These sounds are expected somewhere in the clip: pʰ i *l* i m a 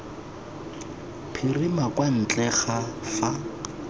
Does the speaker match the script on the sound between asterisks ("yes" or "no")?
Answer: no